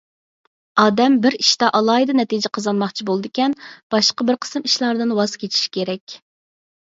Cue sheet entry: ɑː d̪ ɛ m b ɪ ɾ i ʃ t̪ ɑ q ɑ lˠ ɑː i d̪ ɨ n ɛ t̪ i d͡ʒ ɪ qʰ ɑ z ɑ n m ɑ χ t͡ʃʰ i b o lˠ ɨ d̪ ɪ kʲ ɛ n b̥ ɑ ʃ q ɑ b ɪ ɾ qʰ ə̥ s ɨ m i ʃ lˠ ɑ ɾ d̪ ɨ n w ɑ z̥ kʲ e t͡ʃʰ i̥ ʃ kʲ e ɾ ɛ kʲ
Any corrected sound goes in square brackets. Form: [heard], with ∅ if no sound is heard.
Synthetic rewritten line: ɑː d̪ ɛ m b ɪ ɾ i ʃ t̪ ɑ [ʔ] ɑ lˠ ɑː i d̪ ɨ n ɛ t̪ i d͡ʒ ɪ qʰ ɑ z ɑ n m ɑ χ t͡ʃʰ i b o lˠ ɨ d̪ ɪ kʲ ɛ n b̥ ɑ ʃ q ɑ b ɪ ɾ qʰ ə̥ s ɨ m i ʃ lˠ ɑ ɾ d̪ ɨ n w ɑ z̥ kʲ e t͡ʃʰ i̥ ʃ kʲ e ɾ ɛ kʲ